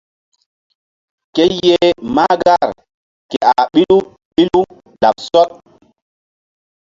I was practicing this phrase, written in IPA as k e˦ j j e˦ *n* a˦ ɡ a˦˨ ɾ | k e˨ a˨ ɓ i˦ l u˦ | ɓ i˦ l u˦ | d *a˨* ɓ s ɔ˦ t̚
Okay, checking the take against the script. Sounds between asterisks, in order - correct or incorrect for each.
incorrect, correct

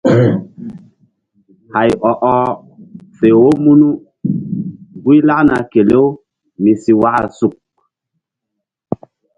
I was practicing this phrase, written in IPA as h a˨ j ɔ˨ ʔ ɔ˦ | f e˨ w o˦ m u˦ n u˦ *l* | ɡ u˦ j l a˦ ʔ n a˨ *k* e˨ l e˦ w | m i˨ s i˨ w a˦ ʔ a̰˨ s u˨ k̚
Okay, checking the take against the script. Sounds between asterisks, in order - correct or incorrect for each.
incorrect, correct

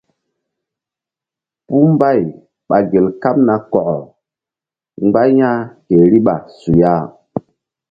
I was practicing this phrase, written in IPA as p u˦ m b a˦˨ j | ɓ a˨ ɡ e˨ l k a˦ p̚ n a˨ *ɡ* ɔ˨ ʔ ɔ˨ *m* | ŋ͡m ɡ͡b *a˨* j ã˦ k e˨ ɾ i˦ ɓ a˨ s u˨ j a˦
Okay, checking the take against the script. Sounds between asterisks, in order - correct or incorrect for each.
incorrect, incorrect, incorrect

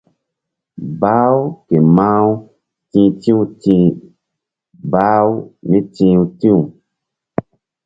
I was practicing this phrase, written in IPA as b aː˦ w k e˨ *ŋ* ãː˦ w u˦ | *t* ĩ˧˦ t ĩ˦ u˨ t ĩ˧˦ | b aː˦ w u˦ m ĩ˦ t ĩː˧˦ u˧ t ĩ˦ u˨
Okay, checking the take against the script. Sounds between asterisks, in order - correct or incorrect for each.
incorrect, correct

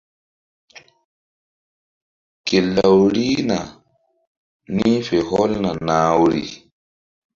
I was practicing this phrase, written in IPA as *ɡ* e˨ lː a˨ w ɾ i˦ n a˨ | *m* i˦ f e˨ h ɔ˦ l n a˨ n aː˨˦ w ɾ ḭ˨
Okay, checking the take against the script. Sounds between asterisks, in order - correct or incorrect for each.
incorrect, incorrect

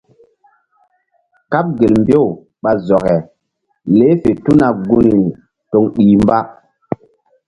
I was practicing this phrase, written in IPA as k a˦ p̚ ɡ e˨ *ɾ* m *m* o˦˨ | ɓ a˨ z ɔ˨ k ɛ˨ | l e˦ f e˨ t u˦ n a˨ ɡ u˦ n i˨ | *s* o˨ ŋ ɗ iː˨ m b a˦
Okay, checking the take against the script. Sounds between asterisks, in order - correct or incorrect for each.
incorrect, incorrect, incorrect

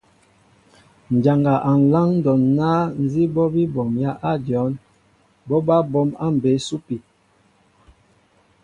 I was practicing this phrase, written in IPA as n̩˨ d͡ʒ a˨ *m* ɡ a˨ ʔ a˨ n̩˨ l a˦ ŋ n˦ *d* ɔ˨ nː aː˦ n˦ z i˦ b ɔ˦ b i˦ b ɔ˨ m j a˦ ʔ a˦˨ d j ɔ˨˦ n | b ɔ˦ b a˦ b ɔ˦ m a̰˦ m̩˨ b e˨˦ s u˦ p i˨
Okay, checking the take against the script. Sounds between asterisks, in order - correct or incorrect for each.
incorrect, correct

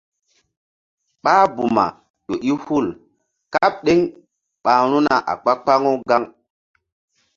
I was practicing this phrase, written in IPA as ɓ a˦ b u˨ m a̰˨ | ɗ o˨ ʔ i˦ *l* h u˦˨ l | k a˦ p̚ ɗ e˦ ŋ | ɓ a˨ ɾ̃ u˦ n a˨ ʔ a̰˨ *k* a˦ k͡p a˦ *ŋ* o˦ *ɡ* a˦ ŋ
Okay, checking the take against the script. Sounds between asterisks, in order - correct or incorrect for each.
incorrect, incorrect, correct, correct

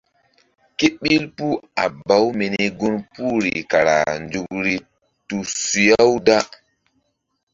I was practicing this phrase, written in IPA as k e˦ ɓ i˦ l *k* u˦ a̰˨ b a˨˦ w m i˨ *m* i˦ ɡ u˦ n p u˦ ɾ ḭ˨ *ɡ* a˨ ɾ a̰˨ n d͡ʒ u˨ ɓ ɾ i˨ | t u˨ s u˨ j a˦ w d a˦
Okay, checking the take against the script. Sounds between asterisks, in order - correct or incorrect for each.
incorrect, incorrect, incorrect

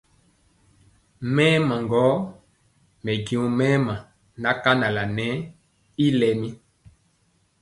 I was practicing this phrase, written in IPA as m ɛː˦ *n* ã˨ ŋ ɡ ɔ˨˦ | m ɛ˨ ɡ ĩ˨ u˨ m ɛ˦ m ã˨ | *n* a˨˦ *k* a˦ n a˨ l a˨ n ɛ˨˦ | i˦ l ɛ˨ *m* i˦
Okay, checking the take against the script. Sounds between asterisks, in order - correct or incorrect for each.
incorrect, correct, correct, correct

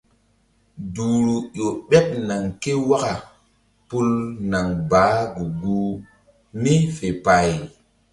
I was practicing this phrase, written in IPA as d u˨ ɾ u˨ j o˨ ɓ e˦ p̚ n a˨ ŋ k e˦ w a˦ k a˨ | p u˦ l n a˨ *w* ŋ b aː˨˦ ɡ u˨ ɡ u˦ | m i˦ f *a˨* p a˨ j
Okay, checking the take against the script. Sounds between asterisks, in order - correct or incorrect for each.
incorrect, incorrect

